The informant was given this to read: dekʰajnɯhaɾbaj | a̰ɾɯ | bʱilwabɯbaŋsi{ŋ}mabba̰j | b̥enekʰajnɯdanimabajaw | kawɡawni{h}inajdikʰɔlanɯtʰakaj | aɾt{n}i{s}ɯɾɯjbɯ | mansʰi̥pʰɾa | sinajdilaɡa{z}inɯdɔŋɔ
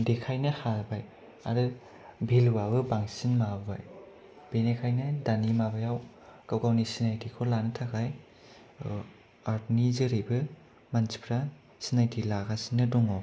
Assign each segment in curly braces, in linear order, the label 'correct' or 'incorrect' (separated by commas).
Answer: incorrect, incorrect, correct, incorrect, incorrect